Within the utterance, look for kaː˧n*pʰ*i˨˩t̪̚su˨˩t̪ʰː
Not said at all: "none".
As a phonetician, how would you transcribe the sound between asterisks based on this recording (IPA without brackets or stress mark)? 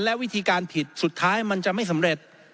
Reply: pʰ